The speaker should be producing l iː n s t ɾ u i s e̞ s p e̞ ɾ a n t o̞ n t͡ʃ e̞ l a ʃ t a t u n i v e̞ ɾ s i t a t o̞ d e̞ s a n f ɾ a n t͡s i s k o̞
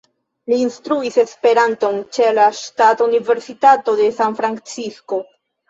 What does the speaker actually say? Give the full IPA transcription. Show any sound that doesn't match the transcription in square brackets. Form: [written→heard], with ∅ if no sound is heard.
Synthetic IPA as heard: l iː n s t ɾ u i s e̞ s p e̞ ɾ a n t o̞ n t͡ʃ e̞ l a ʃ t a t u n i v e̞ ɾ s i t a t o̞ d e̞ s a n f ɾ a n t͡s i s k o̞